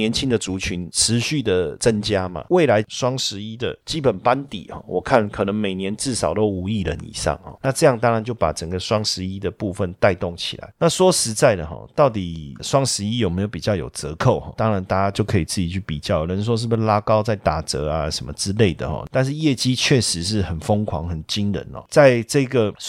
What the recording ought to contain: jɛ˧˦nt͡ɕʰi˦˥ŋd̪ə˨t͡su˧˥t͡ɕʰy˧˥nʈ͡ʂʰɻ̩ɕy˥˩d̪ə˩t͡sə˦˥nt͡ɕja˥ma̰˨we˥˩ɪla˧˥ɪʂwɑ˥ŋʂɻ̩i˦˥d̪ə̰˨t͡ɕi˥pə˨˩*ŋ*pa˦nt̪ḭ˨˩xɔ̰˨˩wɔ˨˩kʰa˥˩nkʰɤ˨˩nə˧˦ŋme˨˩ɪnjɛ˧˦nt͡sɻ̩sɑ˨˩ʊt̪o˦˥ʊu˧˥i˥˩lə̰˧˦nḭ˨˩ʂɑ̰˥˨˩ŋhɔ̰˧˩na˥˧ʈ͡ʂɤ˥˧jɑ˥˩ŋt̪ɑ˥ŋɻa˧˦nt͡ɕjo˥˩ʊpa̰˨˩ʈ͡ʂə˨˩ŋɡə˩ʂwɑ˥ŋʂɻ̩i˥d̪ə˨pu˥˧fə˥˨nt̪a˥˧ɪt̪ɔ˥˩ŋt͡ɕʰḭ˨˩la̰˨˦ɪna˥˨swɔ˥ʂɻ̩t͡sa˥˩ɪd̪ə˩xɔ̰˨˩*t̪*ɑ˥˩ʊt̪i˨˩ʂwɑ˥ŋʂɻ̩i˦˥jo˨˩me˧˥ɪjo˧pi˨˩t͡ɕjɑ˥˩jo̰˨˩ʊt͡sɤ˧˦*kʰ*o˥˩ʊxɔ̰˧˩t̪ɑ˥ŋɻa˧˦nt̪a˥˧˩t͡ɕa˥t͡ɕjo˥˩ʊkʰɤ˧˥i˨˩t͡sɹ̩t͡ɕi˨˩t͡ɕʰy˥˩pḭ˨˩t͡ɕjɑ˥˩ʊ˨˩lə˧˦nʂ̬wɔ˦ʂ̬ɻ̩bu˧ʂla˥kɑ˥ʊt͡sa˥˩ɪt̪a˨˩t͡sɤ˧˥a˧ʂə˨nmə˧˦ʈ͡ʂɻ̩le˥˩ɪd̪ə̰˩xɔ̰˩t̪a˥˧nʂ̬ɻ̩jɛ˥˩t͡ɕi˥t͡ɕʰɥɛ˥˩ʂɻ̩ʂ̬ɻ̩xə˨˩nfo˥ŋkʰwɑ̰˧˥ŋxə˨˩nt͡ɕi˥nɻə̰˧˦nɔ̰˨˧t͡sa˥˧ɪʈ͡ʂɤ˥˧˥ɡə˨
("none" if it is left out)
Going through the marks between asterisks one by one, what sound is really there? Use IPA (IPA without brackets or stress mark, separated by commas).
n, t̪, kʰ